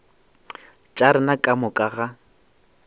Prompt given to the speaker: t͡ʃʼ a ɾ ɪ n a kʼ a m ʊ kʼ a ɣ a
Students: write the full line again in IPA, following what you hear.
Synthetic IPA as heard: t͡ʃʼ a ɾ ɪ n a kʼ a m ʊ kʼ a ɣ a

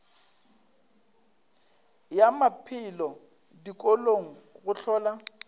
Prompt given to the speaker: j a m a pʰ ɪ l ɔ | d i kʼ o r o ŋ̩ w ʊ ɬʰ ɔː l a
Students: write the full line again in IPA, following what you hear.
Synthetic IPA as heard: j a m a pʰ ɪ l ɔ | d i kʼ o l o ŋ̩ ɣ ʊ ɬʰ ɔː l a

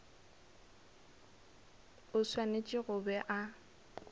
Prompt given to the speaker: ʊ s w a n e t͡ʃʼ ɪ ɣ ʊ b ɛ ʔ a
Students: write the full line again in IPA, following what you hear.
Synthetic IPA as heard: ʊ s w a n e t͡ʃʼ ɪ ɣ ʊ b ɛ ʔ a

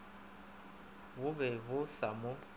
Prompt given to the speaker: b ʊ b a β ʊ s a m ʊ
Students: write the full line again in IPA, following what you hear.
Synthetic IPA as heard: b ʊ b ɛ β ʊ s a m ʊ

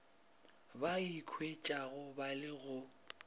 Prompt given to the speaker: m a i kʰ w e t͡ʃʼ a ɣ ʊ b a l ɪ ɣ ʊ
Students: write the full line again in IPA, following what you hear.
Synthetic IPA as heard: b a i kʰ w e t͡ʃʼ a ɣ ʊ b a l ɪ ɣ ʊ

